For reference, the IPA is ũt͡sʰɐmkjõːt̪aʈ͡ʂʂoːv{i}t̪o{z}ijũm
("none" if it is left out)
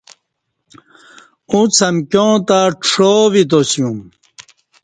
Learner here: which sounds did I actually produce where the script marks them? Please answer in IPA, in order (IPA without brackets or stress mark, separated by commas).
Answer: i, s